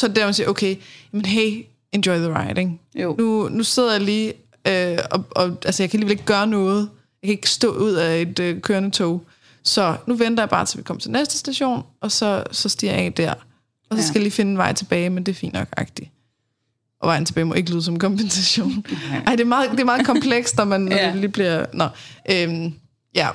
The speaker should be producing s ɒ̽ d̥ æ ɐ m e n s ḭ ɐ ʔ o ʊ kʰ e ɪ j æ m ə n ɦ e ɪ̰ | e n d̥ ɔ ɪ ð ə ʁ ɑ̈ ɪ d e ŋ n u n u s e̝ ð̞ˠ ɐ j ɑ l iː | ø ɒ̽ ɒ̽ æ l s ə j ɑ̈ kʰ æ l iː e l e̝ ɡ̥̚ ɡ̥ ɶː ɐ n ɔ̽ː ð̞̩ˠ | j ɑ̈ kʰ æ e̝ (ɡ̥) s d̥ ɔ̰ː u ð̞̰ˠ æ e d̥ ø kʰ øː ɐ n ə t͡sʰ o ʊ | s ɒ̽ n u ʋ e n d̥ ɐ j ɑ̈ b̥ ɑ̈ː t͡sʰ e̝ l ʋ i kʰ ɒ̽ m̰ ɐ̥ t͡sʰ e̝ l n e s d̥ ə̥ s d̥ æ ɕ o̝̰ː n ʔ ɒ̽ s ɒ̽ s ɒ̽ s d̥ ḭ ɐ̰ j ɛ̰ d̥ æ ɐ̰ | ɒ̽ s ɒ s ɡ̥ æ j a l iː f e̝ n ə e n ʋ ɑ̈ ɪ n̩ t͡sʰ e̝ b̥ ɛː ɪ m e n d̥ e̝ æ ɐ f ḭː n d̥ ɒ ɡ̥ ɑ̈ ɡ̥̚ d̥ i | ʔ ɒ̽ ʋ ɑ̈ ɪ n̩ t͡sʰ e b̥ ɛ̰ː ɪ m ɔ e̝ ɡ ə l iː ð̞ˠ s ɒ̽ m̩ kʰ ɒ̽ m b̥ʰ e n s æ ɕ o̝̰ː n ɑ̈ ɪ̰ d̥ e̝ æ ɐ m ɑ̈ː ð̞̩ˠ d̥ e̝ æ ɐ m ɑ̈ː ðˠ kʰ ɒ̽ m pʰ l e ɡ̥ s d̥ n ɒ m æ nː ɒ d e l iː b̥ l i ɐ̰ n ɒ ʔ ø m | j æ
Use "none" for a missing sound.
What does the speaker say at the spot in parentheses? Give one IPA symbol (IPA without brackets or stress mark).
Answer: ɡ̥